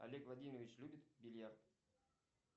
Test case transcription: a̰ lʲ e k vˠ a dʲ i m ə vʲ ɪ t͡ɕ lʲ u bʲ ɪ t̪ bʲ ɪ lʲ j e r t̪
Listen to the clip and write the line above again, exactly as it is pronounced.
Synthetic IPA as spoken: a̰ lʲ e k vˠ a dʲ i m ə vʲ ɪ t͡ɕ lʲ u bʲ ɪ t̪ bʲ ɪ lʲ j a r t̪